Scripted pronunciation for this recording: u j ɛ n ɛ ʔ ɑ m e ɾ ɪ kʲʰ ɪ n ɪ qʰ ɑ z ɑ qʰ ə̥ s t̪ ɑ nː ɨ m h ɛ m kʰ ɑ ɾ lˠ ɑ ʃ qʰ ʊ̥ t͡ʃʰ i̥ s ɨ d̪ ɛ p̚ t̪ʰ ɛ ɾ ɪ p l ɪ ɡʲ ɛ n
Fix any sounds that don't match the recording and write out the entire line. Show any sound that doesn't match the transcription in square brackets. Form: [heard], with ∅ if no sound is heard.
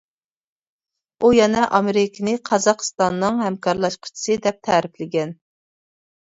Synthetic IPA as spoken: u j ɛ n ɛ ʔ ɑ m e ɾ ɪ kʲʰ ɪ n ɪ qʰ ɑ z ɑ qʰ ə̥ s t̪ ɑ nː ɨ [ŋ] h ɛ m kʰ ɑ ɾ lˠ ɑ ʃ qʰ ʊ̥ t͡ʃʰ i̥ s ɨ d̪ ɛ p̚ t̪ʰ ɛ ɾ ɪ p l ɪ ɡʲ ɛ n